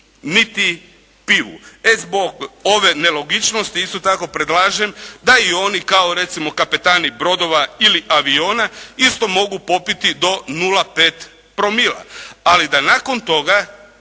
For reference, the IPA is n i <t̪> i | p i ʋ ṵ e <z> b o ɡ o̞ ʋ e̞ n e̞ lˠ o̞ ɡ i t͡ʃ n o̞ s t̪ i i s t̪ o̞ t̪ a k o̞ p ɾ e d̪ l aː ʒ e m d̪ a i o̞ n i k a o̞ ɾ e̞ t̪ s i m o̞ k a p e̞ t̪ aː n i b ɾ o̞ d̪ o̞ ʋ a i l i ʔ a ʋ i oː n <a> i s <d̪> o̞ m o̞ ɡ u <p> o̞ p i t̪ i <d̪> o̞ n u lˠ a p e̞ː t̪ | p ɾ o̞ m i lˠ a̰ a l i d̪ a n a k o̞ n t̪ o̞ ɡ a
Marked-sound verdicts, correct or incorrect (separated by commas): correct, correct, correct, incorrect, correct, correct